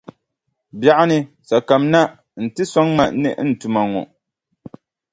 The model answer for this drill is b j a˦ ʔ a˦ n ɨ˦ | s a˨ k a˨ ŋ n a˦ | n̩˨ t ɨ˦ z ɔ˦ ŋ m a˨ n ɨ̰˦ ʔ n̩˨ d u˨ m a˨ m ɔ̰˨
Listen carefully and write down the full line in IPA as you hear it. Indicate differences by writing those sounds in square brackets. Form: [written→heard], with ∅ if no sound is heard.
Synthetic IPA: b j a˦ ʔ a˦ n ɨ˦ | s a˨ k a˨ [ŋ→m] n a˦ | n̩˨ t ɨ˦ [z→s] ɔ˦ ŋ m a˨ n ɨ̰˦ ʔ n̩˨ [d→t] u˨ m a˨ [m→ŋ] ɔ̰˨

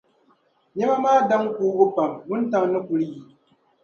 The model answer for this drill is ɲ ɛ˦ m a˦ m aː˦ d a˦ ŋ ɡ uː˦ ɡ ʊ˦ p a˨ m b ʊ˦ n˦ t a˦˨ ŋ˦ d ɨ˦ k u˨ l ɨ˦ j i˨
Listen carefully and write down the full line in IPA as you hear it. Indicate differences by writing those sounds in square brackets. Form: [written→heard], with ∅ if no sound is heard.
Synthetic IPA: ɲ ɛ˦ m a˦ m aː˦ d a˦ ŋ [ɡ→k] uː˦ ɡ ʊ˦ p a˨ m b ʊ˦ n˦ t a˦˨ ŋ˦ [d→n] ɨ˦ k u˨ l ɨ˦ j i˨

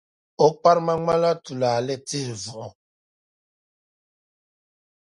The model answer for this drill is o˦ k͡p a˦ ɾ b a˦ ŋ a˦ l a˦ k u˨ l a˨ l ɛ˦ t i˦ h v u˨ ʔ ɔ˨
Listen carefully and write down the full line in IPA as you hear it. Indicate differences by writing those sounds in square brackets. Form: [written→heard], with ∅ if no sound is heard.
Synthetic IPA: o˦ k͡p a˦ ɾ [b→m] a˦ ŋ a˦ l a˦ [k→t] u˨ l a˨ l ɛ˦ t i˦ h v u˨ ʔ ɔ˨

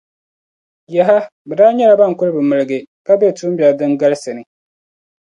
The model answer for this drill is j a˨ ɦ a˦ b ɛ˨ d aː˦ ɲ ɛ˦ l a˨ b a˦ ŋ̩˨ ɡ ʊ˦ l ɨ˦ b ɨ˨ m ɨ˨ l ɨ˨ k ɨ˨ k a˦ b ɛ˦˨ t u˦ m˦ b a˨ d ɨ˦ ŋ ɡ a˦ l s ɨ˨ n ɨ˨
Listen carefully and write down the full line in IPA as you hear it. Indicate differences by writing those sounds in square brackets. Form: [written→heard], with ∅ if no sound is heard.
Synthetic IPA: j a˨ ɦ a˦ b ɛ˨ d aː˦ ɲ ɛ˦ l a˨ b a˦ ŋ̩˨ [ɡ→k] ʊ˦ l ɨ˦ b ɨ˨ m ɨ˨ l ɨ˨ [k→ɡ] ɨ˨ k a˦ b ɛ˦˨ t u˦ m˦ b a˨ d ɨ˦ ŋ ɡ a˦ l s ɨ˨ n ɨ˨

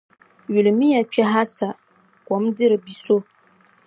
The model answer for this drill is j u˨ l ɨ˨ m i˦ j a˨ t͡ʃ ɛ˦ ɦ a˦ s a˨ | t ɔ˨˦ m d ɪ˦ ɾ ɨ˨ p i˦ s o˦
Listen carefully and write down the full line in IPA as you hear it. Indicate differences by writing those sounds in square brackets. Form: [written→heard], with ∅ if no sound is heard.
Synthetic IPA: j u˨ l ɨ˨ m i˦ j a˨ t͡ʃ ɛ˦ ɦ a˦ s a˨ | [t→k] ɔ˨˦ m d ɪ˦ ɾ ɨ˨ [p→b] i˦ s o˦

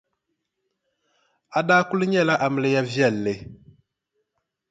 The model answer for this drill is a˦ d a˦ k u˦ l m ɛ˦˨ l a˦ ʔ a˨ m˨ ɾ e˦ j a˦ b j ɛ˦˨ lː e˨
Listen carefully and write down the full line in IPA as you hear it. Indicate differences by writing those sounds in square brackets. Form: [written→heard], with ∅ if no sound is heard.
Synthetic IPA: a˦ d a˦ k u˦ l [m→ɲ] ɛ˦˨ l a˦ ʔ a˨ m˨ [ɾ→l] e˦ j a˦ [b→v] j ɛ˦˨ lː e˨

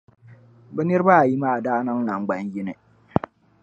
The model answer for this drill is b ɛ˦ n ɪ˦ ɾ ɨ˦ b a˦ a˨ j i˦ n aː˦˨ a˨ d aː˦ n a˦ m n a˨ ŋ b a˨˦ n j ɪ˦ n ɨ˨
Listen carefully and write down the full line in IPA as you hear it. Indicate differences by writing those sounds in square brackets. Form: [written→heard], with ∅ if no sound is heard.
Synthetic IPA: b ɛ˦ n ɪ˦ ɾ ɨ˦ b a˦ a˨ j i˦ [n→m] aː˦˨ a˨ d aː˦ n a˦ [m→ŋ] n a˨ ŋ [b→ɡ͡b] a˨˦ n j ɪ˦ n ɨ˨

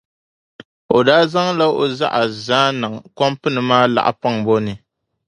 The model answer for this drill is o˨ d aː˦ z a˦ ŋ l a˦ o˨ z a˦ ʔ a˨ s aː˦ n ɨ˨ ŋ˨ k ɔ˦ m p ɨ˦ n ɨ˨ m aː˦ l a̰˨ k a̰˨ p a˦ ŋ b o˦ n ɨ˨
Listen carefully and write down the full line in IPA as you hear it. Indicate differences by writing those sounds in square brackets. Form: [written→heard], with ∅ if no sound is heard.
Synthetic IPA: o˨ d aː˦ z a˦ ŋ l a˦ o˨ z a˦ ʔ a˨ [s→z] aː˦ n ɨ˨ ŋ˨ k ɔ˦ m p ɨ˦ n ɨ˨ m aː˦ l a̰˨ [k→ʔ] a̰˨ p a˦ ŋ b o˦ n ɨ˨

